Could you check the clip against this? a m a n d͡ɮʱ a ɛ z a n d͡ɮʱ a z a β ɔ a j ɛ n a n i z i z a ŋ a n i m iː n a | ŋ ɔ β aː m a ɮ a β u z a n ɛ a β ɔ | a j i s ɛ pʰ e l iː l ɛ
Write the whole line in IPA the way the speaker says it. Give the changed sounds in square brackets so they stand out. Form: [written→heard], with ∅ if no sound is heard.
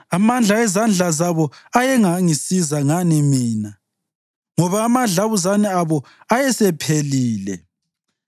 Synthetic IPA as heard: a m a n d͡ɮʱ a ɛ z a n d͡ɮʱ a z a β ɔ a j ɛ [n→ŋ] a [n→ŋ] i [z→s] i z a ŋ a n i m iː n a | ŋ ɔ β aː m a ɮ a β u z a n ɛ a β ɔ | a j [i→ɛ] s ɛ pʰ e l iː l ɛ